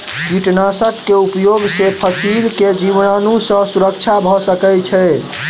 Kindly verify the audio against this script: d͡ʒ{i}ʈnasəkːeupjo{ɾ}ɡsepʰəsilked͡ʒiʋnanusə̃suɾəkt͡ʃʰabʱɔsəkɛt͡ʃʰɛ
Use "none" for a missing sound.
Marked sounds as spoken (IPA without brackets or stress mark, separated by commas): i, none